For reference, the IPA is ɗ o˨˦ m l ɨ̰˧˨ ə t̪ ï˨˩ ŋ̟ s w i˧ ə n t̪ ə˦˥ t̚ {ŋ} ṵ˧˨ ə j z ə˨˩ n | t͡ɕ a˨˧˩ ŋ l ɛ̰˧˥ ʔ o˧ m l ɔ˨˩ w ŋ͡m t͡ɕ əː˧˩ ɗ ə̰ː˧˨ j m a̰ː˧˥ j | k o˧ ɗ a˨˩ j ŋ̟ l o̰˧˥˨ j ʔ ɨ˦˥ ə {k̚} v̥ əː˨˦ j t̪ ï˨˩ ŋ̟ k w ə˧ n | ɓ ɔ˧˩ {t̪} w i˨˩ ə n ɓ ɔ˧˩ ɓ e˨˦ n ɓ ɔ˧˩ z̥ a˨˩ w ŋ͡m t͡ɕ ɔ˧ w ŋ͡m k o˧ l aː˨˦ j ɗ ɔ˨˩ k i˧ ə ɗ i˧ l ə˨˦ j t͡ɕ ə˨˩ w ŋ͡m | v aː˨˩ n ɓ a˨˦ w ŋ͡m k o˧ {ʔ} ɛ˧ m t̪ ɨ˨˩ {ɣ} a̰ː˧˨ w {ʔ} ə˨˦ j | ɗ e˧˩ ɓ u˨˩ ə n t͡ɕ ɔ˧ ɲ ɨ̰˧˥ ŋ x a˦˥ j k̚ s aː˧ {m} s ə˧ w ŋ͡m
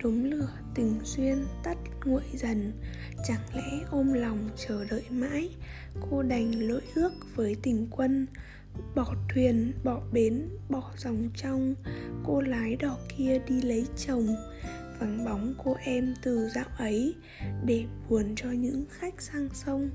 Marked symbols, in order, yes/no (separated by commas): yes, yes, no, yes, no, yes, no